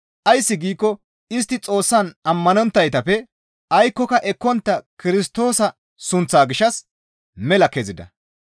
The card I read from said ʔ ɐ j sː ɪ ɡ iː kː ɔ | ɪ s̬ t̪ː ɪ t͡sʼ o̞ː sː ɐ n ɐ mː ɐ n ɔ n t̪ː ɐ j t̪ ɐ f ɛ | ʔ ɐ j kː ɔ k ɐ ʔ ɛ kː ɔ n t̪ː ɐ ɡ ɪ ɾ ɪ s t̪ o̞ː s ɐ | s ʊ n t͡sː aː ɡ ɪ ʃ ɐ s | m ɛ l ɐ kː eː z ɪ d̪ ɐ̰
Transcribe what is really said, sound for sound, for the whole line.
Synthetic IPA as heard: ʔ ɐ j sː ɪ ɡ iː kː ɔ | ɪ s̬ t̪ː ɪ t͡sʼ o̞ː sː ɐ n ɐ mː ɐ n ɔ n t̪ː ɐ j t̪ ɐ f ɛ | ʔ ɐ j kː ɔ k ɐ ʔ ɛ kː ɔ n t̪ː ɐ k ɪ ɾ ɪ s t̪ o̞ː s ɐ | s ʊ n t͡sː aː ɡ ɪ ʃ ɐ s | m ɛ l ɐ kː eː z ɪ d̪ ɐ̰